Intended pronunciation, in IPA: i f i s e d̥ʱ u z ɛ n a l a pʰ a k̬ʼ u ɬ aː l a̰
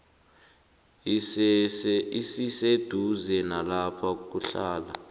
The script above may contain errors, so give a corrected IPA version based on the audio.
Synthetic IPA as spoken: i s i s e d̥ʱ u z ɛ n a l a pʰ a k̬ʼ u ɬ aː l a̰